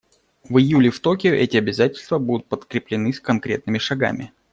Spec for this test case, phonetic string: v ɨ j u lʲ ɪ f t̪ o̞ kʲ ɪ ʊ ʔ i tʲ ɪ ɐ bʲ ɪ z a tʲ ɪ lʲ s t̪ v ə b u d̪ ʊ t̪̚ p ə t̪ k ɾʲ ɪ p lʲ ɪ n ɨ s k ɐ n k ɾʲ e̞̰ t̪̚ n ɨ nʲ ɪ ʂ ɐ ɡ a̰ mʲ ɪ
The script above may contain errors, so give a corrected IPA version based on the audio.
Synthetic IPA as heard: v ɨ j u lʲ ɪ f t̪ o̞ kʲ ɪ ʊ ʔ ɛ tʲ ɪ ɐ bʲ ɪ z a tʲ ɪ lʲ s t̪ v ə b u d̪ ʊ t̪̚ p ə t̪ k ɾʲ ɪ p lʲ ɪ n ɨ s k ɐ n k ɾʲ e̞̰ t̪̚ n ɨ mʲ ɪ ʂ ɐ ɡ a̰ mʲ ɪ

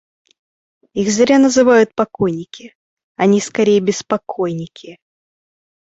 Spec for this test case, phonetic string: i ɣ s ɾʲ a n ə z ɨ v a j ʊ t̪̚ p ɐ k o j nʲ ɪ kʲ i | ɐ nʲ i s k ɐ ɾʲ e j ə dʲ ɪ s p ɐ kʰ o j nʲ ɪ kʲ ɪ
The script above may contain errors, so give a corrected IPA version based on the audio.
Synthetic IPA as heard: i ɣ z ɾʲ a n ə z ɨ v a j ʊ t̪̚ p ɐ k o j nʲ ɪ kʲ ɪ | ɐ nʲ i s k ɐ ɾʲ e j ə bʲ ɪ s p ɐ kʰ o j nʲ ɪ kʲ ɪ

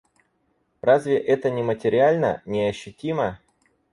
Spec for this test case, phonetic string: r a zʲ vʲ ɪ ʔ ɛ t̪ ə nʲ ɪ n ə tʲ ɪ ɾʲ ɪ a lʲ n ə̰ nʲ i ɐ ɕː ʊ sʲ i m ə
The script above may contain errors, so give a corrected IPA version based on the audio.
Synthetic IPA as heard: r a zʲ vʲ ɪ ʔ ɛ t̪ ə nʲ ɪ m ə tʲ ɪ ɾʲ ɪ a lʲ n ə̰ nʲ ɪ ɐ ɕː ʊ tʲ i m ə

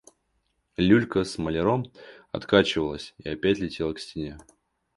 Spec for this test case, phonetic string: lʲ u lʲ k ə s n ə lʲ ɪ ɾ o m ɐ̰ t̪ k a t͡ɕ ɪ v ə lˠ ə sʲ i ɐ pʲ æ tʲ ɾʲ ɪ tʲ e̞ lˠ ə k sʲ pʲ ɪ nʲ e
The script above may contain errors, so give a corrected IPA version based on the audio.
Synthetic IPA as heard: lʲ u lʲ k ə s m ə lʲ ɪ ɾ o m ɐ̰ t̪ k a t͡ɕ ɪ v ə lˠ ə sʲ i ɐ pʲ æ tʲ lʲ ɪ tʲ e̞ lˠ ə k sʲ tʲ ɪ nʲ e

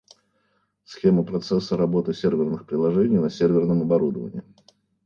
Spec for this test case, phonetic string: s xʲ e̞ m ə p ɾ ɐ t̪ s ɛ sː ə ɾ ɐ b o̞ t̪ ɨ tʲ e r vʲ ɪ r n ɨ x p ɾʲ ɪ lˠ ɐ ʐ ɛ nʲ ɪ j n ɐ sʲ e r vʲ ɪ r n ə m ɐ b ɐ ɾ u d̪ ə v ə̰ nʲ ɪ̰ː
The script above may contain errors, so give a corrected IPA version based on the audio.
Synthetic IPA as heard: s xʲ e̞ m ə p ɾ ɐ t̪ s ɛ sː ə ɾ ɐ b o̞ t̪ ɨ sʲ e r vʲ ɪ r n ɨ x p ɾʲ ɪ lˠ ɐ ʐ ɛ nʲ ɪ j n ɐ sʲ e r vʲ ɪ r n ə m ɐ b ɐ ɾ u d̪ ə v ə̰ nʲ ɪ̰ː

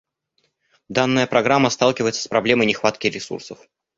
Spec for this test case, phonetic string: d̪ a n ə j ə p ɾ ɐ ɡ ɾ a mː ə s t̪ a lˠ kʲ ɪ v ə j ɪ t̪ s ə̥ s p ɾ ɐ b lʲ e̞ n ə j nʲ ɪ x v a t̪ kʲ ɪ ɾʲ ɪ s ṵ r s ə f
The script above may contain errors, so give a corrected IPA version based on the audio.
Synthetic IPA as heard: d̪ a nː ə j ə p ɾ ɐ ɡ ɾ a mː ə s t̪ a lˠ kʲ ɪ v ə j ɪ t̪ s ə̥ s p ɾ ɐ b lʲ e̞ m ə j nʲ ɪ x v a t̪ kʲ ɪ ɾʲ ɪ s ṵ r s ə f

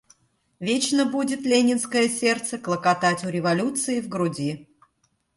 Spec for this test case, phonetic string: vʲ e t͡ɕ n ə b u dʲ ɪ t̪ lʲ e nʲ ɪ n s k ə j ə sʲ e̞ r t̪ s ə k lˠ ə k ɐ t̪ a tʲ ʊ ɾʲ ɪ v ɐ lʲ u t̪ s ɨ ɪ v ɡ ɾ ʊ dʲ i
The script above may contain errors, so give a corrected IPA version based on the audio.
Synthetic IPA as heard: vʲ e t͡ɕ n ə b u dʲ ɪ t̪ lʲ e nʲ ɪ n s k ə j ə sʲ e̞ r t̪ s ə k lˠ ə k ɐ t̪ a tʲ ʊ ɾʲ ɪ v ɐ lʲ u t̪ s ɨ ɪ v ɡ ɾ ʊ dʲ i

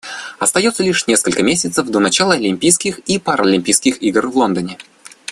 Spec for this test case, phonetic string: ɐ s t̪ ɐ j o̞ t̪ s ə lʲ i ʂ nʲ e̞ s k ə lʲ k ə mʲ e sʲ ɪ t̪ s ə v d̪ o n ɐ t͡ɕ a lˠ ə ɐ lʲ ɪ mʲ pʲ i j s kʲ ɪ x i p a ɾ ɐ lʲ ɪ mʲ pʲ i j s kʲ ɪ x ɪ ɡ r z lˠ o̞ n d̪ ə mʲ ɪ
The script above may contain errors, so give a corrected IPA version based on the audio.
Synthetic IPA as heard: ɐ s t̪ ɐ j o̞ t̪ s ə lʲ i ʂ nʲ e̞ s k ə lʲ k ə mʲ e sʲ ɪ t̪ s ə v d̪ o n ɐ t͡ɕ a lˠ ə ɐ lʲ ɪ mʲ pʲ i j s kʲ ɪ x i p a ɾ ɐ lʲ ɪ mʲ pʲ i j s kʲ ɪ x i ɡ r v lˠ o̞ n d̪ ə nʲ ɪ

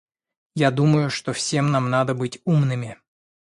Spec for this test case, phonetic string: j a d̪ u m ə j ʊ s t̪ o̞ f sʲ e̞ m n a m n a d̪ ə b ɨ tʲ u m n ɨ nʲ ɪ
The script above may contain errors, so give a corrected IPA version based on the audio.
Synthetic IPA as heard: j a d̪ u m ə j ʊ ʂ t̪ o̞ f sʲ e̞ m n a m n a d̪ ə b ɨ tʲ u m n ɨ mʲ ɪ

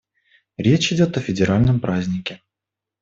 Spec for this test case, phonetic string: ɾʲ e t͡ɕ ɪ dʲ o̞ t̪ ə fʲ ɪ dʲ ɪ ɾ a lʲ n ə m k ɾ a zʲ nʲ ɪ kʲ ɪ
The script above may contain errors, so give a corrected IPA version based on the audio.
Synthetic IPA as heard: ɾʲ e t͡ɕ ɪ dʲ o̞ t̪ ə fʲ ɪ dʲ ɪ ɾ a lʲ n ə m p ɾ a zʲ nʲ ɪ kʲ ɪ

